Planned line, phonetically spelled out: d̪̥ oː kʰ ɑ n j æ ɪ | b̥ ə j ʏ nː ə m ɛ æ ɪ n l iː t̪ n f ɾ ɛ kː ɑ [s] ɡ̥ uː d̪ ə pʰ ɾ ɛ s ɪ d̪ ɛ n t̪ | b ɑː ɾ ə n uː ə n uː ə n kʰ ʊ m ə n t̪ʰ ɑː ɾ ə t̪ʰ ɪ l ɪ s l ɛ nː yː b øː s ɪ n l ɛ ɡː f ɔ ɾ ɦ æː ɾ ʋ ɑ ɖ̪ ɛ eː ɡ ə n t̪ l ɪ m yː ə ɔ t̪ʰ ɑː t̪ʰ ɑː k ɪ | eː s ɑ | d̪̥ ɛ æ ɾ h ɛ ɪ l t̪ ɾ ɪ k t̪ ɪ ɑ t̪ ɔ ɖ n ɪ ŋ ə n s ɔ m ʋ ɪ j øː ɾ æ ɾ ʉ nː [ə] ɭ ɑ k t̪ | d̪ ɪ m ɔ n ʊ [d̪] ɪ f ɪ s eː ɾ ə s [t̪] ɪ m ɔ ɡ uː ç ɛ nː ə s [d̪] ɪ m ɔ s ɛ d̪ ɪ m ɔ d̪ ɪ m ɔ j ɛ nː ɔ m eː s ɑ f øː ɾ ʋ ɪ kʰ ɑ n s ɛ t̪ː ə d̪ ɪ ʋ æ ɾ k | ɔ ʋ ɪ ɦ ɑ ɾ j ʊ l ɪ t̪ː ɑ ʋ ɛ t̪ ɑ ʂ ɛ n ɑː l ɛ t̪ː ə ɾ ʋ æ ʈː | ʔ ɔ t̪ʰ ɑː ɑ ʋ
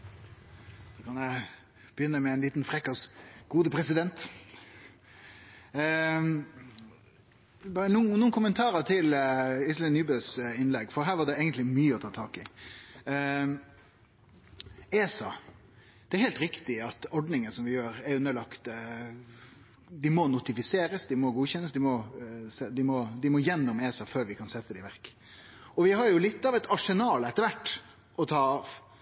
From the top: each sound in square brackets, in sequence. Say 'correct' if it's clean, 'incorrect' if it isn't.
correct, correct, incorrect, incorrect, correct

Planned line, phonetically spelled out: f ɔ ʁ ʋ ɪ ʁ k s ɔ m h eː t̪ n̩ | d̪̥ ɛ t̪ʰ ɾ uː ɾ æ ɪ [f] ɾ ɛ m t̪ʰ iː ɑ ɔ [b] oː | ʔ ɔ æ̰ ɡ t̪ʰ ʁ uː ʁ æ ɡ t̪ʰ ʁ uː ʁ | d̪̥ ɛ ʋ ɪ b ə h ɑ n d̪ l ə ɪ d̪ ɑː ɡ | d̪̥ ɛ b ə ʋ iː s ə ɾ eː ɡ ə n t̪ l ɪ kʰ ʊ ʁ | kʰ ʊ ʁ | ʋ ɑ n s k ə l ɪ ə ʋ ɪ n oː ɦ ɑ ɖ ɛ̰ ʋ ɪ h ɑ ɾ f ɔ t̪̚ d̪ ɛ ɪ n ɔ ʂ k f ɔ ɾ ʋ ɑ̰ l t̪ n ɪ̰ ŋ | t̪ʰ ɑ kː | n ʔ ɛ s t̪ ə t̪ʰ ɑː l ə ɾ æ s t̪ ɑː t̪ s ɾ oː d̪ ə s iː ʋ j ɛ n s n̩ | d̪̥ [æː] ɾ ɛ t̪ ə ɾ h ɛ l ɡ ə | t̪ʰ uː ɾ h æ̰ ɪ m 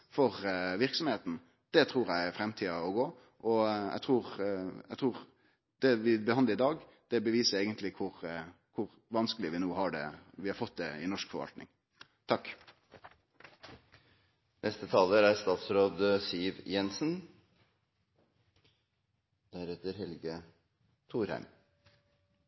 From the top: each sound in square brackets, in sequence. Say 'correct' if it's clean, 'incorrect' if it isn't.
correct, incorrect, incorrect

